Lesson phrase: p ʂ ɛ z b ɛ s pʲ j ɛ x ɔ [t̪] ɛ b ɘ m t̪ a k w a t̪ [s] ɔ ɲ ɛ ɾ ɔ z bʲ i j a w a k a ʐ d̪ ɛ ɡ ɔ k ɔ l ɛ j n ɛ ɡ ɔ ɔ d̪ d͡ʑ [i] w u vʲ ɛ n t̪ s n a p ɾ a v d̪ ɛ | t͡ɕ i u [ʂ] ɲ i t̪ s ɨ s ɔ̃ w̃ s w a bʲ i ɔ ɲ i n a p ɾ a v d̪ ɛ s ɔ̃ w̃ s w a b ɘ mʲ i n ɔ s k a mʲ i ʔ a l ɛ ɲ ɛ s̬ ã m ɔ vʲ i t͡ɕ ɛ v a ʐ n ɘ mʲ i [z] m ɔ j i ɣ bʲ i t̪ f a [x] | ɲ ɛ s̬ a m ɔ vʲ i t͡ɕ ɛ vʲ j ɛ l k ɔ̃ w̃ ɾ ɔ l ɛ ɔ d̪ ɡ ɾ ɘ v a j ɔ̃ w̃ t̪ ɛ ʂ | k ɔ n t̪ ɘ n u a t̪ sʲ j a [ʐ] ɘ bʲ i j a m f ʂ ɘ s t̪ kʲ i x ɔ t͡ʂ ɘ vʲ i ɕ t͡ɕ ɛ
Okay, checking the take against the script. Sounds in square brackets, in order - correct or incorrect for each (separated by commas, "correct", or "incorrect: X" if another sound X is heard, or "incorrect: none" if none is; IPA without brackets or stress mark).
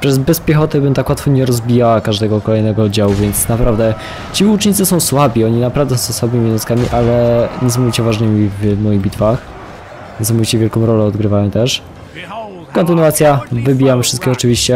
correct, incorrect: f, incorrect: a, incorrect: t͡ʂ, incorrect: v, correct, incorrect: v